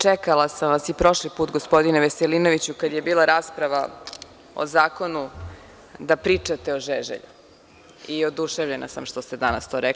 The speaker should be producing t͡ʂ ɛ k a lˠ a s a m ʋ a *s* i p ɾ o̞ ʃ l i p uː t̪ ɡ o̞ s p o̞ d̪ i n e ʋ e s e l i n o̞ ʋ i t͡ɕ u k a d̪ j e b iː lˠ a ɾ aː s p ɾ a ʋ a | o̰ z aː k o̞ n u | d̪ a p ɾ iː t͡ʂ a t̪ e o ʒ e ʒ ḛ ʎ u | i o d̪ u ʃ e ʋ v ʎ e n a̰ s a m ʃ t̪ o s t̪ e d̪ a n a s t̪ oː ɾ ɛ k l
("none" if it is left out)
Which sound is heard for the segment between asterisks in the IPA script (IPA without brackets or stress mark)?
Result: s